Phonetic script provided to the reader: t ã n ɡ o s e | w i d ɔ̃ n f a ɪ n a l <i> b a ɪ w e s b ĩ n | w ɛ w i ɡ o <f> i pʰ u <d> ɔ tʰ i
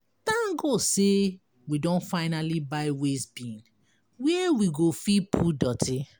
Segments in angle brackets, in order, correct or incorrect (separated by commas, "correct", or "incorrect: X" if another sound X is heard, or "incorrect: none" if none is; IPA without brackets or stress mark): correct, correct, correct